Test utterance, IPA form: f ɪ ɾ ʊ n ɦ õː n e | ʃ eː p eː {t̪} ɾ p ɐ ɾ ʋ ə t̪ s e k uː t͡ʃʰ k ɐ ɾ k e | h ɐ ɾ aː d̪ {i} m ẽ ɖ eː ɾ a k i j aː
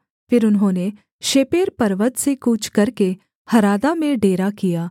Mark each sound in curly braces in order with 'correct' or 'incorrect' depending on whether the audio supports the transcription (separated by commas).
incorrect, incorrect